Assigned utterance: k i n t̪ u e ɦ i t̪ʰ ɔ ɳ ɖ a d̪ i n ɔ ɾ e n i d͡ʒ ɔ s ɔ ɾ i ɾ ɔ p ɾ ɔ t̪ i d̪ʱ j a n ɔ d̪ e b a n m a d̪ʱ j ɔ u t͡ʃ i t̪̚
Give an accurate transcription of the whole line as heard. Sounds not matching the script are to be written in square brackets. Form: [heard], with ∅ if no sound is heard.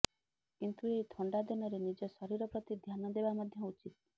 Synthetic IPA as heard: k i n t̪ u e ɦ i t̪ʰ ɔ ɳ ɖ a d̪ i n ɔ ɾ e n i d͡ʒ ɔ s ɔ ɾ i ɾ ɔ p ɾ ɔ t̪ i d̪ʱ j a n ɔ d̪ e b a [∅] m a d̪ʱ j ɔ u t͡ʃ i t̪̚

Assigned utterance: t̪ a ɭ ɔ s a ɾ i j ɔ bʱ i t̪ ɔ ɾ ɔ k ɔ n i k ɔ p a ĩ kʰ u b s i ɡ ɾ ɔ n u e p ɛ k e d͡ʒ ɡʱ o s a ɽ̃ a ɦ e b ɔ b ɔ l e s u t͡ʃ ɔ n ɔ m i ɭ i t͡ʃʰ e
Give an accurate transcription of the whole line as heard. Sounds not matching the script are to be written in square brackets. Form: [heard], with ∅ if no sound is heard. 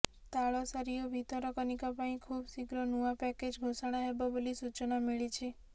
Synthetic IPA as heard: t̪ a ɭ ɔ s a ɾ i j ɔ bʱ i t̪ ɔ ɾ ɔ k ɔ n i k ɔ p a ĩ kʰ u b s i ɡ ɾ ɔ n u [a] p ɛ k e d͡ʒ ɡʱ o s a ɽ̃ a ɦ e b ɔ b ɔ l [i] s u t͡ʃ ɔ n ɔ m i ɭ i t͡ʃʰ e

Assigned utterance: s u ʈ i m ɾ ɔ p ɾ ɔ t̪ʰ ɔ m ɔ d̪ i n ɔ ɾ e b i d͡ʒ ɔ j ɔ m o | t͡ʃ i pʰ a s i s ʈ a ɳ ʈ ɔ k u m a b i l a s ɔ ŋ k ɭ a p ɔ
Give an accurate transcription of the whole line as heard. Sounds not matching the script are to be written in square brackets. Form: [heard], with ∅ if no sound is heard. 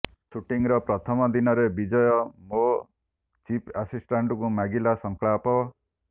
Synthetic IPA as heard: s u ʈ i [ŋ] ɾ ɔ p ɾ ɔ t̪ʰ ɔ m ɔ d̪ i n ɔ ɾ e b i d͡ʒ ɔ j ɔ m o | t͡ʃ i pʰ a s i s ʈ a ɳ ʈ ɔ k u m a [ɡ] i l a s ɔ ŋ k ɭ a p ɔ

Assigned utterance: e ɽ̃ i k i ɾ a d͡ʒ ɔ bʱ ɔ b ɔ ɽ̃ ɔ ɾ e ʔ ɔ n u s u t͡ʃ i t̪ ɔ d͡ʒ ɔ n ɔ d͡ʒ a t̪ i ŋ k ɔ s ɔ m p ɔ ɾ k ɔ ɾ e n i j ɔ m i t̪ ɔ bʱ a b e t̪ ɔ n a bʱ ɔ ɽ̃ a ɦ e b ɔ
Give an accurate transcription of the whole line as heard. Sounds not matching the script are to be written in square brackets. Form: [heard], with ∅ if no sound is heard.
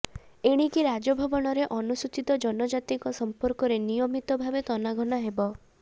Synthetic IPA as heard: e ɽ̃ i k i ɾ a d͡ʒ ɔ bʱ ɔ b ɔ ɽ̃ ɔ ɾ e ʔ ɔ n u s u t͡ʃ i t̪ ɔ d͡ʒ ɔ n ɔ d͡ʒ a t̪ i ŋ k ɔ s ɔ m p ɔ ɾ k ɔ ɾ e n i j ɔ m i t̪ ɔ bʱ a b e t̪ ɔ n a [ɡʱ] ɔ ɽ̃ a ɦ e b ɔ

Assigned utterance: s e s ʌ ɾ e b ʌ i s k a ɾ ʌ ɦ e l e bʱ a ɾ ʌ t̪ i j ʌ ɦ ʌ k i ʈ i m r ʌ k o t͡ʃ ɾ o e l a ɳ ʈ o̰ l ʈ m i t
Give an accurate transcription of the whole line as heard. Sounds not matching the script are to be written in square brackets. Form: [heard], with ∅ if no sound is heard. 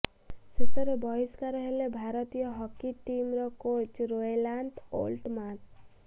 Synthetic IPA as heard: s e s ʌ ɾ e b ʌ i s k a ɾ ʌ ɦ e l e bʱ a ɾ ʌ t̪ i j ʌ ɦ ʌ k i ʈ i m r ʌ k o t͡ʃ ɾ o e l a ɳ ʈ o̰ l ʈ m [a] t

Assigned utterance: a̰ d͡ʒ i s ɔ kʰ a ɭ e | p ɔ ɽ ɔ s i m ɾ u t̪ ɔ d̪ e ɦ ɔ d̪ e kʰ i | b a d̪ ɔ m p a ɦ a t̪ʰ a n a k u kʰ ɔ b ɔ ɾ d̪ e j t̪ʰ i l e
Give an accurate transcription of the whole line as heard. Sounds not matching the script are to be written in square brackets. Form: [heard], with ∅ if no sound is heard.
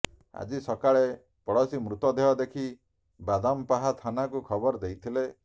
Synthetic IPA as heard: a̰ d͡ʒ i s ɔ [k] a ɭ e | p ɔ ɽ ɔ s i m ɾ u t̪ ɔ d̪ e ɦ ɔ d̪ e kʰ i | b a d̪ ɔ m p a ɦ a t̪ʰ a n a k u kʰ ɔ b ɔ ɾ d̪ e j t̪ʰ i l e

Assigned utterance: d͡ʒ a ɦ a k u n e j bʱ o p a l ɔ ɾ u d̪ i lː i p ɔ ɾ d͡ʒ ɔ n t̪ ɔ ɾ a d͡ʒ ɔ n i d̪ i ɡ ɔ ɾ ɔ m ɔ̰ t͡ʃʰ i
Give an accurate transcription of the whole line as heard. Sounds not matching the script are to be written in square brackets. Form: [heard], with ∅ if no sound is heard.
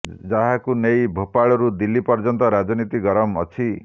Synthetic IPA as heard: d͡ʒ a ɦ a k u n e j bʱ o p a [ɭ] ɔ ɾ u d̪ i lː i p ɔ ɾ d͡ʒ ɔ n t̪ ɔ ɾ a d͡ʒ ɔ n i [t̪] i ɡ ɔ ɾ ɔ m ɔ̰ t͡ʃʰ i

